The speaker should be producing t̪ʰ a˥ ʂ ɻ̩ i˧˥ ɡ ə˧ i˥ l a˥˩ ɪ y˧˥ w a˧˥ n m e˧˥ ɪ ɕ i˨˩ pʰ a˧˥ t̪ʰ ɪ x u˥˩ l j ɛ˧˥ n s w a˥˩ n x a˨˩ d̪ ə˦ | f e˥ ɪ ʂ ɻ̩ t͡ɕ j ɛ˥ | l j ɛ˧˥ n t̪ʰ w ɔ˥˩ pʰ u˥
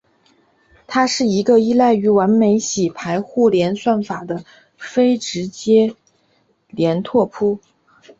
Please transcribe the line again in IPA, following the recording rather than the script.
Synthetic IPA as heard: t̪ʰ a˥ ʂ ɻ̩ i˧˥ ɡ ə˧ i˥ l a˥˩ ɪ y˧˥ w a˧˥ n m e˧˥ ɪ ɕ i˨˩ pʰ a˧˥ ɪ x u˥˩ l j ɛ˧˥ n s w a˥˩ n f a˨˩ d̪ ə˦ | f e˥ ɪ ʈ͡ʂ ɻ̩ t͡ɕ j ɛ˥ | l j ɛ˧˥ n t̪ʰ w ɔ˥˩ pʰ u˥

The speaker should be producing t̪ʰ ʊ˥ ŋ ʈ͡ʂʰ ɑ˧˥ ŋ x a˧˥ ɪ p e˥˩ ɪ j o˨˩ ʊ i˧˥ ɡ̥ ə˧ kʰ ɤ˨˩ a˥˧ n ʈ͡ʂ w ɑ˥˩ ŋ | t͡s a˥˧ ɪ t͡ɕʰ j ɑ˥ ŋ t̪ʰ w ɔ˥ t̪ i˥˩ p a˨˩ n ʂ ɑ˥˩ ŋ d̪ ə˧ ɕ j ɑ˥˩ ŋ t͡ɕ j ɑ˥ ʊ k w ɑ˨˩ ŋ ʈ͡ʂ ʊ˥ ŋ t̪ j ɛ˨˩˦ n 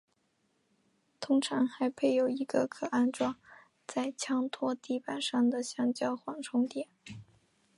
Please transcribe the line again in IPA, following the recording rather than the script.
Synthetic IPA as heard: t̪ʰ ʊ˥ ŋ ʈ͡ʂʰ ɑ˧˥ ŋ x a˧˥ ɪ pʰ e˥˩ ɪ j o˨˩ ʊ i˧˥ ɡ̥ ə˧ kʰ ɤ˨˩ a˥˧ n ʈ͡ʂ w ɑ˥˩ ŋ | t͡s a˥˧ ɪ t͡ɕʰ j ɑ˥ ŋ t̪ʰ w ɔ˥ t̪ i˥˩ p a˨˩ n ʂ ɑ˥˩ ŋ d̪ ə˩ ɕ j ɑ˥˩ ŋ t͡ɕ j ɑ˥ ʊ x w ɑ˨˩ ŋ ʈ͡ʂʰ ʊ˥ ŋ t̪ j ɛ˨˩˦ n

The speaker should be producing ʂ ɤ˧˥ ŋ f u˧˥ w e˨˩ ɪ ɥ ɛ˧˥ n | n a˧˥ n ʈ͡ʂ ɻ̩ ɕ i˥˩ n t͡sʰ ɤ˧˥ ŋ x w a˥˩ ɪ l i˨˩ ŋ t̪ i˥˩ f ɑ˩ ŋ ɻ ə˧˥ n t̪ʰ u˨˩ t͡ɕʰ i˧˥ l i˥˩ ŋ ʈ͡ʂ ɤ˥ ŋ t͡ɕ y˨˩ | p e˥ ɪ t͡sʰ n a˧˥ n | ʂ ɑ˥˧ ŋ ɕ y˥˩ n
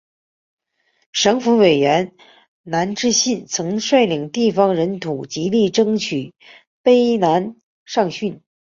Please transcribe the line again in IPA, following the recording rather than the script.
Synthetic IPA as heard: ʂ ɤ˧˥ ŋ f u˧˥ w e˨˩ ɪ ɥ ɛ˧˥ n | n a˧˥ n ʈ͡ʂ ɻ̩ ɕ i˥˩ n t͡sʰ ɤ˧˥ ŋ ʂ w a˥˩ ɪ l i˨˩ ŋ t̪ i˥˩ f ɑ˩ ŋ ɻ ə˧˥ n t̪ʰ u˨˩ t͡ɕ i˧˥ l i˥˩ ʈ͡ʂ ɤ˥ ŋ t͡ɕʰ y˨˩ | p e˥ ɪ n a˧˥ n | ʂ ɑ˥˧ ŋ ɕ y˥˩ n

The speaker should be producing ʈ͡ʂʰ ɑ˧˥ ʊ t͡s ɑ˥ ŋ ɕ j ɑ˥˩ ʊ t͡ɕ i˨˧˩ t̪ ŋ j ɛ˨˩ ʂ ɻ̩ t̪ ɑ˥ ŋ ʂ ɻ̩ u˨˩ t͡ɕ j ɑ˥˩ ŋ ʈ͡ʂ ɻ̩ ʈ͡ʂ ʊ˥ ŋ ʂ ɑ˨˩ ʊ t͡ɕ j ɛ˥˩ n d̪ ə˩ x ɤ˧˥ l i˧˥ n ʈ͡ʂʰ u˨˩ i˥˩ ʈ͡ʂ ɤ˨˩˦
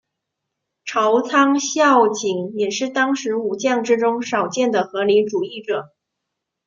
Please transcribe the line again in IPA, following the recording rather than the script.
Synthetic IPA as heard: ʈ͡ʂʰ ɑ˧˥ ʊ t͡sʰ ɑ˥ ŋ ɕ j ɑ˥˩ ʊ t͡ɕ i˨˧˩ ŋ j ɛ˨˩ ʂ ɻ̩ t̪ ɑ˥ ŋ ʂ ɻ̩ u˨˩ t͡ɕ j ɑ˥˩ ŋ ʈ͡ʂ ɻ̩ ʈ͡ʂ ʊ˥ ŋ ʂ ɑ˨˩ ʊ t͡ɕ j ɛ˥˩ n d̪ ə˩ x ɤ˧˥ l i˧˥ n ʈ͡ʂ u˨˩ i˥˩ ʈ͡ʂ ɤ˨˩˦

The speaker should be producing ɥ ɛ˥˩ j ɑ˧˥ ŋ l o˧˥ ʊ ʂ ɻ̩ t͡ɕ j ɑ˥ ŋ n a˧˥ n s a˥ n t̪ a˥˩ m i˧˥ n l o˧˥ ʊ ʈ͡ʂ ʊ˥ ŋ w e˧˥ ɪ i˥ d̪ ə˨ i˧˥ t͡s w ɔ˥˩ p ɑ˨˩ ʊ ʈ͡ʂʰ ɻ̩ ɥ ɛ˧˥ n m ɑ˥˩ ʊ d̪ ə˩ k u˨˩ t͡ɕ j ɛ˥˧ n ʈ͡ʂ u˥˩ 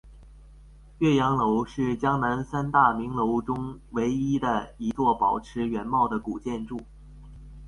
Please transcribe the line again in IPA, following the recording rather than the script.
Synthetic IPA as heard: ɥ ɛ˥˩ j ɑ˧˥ ŋ l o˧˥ ʊ ʂ ɻ̩ t͡ɕ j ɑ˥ ŋ n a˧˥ n s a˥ n t̪ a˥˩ m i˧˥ ŋ l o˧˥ ʊ ʈ͡ʂ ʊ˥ ŋ w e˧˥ ɪ i˥ d̪ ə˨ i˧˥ t͡s w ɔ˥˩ p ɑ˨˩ ʊ ʈ͡ʂʰ ɻ̩ ɥ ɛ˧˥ n m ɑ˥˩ ʊ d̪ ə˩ k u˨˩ t͡ɕ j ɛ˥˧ n ʈ͡ʂ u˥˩

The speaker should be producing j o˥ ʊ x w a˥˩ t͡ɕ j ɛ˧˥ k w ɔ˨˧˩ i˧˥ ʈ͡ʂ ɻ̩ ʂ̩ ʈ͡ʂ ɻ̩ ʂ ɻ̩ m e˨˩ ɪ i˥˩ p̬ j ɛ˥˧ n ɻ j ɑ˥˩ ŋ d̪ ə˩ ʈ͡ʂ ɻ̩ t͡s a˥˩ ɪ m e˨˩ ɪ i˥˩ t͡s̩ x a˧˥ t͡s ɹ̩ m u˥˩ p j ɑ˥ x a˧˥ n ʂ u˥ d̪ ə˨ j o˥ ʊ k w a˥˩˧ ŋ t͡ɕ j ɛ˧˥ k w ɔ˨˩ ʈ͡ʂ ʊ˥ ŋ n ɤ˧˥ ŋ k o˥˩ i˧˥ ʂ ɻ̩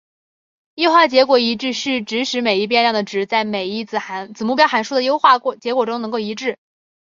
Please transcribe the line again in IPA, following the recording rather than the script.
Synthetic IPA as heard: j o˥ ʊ x w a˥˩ t͡ɕ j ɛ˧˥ k w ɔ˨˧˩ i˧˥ ʈ͡ʂ ɻ̩ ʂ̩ ʈ͡ʂ ɻ̩ ʂ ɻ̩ m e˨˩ ɪ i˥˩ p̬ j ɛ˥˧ n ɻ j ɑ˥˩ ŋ d̪ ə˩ ʈ͡ʂ ɻ̩ t͡s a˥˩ ɪ m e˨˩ ɪ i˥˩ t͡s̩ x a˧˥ t͡s ɹ̩ m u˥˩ p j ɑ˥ x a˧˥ n ʂ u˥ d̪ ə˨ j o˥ ʊ x w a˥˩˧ t͡ɕ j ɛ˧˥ k w ɔ˨˩ ʈ͡ʂ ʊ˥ ŋ n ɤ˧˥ ŋ k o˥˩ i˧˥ ʈ͡ʂ ɻ̩

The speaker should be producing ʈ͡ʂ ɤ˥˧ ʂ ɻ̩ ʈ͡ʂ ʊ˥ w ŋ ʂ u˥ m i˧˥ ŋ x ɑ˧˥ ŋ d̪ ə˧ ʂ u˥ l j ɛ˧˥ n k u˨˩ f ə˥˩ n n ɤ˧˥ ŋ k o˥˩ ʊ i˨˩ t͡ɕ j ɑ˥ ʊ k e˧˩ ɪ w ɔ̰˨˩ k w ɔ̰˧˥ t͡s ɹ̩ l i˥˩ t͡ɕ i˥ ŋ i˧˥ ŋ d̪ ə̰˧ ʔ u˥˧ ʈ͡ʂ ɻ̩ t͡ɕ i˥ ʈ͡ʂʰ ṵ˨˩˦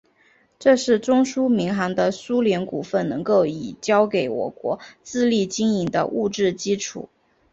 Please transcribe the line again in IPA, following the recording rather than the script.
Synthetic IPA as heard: ʈ͡ʂ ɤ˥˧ ʂ ɻ̩ ʈ͡ʂ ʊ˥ ŋ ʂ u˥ m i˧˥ ŋ x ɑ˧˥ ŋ d̪ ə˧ s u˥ l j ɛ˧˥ n k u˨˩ f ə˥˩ n n ɤ˧˥ ŋ k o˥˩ ʊ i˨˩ t͡ɕ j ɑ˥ ʊ k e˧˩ ɪ w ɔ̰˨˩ k w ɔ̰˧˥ t͡s ɹ̩ l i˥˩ t͡ɕ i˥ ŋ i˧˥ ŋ d̪ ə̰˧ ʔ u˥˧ ʈ͡ʂ ɻ̩ t͡ɕ i˥ ʈ͡ʂʰ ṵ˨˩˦

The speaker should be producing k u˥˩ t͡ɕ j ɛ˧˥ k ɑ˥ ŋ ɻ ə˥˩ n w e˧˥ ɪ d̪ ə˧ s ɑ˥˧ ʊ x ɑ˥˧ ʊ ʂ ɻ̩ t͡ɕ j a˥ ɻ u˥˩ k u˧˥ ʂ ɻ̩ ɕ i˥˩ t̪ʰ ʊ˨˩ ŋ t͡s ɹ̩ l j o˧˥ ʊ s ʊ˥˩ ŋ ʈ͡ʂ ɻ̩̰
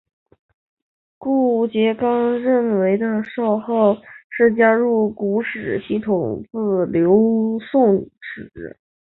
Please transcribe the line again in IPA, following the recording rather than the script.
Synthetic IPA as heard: k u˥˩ t͡ɕ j ɛ˧˥ k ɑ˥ ŋ ɻ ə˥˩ n w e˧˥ ɪ d̪ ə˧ ʂ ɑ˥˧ ʊ x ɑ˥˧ ʊ ʂ ɻ̩ t͡ɕ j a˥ ɻ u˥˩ k u˧˥ ʂ ɻ̩ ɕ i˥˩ t̪ʰ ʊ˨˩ ŋ t͡s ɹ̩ l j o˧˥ ʊ s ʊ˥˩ ŋ ʈ͡ʂ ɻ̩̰

